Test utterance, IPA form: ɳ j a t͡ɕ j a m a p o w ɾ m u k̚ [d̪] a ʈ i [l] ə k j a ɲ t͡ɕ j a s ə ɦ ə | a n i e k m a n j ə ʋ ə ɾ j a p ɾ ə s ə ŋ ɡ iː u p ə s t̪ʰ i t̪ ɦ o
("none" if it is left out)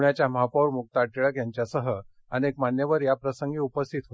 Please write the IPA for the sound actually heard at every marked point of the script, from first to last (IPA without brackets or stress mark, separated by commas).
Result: t̪, ɭ